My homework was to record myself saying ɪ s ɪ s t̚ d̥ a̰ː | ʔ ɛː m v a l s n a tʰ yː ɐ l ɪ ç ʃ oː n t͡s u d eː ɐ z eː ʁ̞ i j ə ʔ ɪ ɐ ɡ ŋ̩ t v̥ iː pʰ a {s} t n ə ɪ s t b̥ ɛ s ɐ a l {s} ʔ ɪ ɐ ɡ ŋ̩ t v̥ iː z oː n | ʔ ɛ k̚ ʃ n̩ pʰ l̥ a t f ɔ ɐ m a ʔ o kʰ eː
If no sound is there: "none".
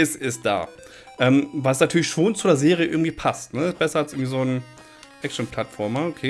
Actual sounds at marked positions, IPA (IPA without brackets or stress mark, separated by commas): s, s